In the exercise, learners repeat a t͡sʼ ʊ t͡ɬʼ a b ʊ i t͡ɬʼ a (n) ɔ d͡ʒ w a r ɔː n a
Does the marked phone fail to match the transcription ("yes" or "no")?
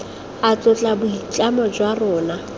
yes